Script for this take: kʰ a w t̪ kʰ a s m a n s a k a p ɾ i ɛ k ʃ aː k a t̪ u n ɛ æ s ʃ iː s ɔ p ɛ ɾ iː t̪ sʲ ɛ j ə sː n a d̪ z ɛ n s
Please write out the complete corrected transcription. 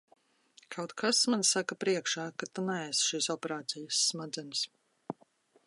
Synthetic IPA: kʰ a w t̪ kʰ a s m a n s a k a p ɾ i ɛ k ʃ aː k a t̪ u n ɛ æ s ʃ iː s ɔ p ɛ ɾ aː t̪ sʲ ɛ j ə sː m a d̪ z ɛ n s